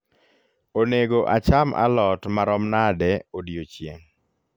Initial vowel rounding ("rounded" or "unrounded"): rounded